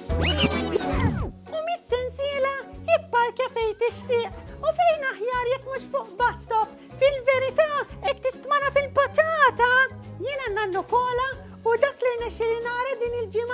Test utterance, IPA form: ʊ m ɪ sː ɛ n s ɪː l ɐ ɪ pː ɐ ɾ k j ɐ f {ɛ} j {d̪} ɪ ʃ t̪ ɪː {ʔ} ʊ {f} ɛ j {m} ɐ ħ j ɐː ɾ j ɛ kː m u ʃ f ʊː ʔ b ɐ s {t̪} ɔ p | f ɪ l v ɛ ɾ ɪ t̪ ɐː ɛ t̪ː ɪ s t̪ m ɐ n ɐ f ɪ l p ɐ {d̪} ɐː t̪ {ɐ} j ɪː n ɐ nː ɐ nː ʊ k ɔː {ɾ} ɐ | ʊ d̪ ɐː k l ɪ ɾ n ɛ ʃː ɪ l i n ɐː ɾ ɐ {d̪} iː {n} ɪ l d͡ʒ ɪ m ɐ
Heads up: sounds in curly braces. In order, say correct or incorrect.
correct, incorrect: t̪, correct, correct, incorrect: n, correct, incorrect: t̪, correct, incorrect: l, correct, correct

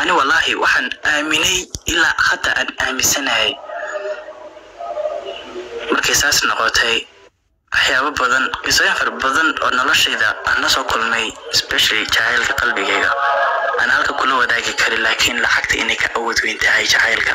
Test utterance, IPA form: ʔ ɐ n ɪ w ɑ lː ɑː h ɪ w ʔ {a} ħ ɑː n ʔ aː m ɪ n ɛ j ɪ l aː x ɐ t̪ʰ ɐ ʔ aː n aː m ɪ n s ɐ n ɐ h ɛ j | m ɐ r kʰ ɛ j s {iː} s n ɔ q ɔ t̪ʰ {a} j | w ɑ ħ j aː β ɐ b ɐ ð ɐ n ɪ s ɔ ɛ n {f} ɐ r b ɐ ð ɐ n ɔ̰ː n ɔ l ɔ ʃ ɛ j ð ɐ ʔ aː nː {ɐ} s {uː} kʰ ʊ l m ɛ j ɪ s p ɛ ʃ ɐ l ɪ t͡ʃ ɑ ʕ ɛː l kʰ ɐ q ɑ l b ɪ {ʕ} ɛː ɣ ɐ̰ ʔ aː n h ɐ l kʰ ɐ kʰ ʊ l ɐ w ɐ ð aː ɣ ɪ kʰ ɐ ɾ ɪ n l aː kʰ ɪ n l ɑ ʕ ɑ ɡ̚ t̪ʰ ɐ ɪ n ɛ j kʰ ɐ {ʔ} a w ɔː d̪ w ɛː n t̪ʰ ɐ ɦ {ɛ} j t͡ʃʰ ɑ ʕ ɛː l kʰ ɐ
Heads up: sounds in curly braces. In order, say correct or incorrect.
incorrect: ɑ, incorrect: aː, incorrect: ɛ, correct, correct, incorrect: ɔː, incorrect: ɣ, correct, correct

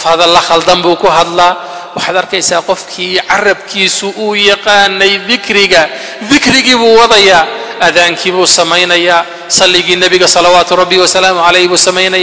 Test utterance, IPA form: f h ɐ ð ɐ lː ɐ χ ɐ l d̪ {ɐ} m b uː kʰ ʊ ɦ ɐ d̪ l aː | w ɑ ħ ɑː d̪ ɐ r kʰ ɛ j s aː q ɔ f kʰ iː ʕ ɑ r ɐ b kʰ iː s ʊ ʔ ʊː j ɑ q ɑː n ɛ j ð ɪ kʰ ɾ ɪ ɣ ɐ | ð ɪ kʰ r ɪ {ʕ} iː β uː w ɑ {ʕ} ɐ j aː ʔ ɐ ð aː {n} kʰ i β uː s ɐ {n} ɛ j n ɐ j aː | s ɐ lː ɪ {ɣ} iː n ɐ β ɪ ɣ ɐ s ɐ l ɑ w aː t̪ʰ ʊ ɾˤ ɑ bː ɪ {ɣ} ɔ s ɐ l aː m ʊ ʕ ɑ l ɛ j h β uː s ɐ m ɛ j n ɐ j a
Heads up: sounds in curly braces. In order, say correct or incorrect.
correct, incorrect: ɣ, incorrect: ð, incorrect: ŋ, incorrect: m, correct, incorrect: w

